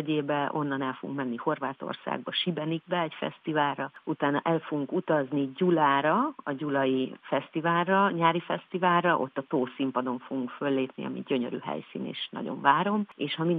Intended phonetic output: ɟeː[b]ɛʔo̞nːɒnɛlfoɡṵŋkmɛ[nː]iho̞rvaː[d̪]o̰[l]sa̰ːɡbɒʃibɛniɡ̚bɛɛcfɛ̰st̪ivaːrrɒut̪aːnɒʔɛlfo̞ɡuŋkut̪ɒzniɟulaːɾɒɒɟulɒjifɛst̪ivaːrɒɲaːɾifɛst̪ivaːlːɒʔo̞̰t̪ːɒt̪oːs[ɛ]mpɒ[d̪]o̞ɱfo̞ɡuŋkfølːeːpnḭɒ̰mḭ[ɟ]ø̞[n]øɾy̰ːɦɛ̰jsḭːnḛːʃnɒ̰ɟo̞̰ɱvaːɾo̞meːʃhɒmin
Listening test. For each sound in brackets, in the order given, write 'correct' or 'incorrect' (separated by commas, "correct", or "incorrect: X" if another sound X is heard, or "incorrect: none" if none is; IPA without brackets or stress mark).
correct, correct, incorrect: t̪, incorrect: r, incorrect: i, correct, correct, incorrect: ɲ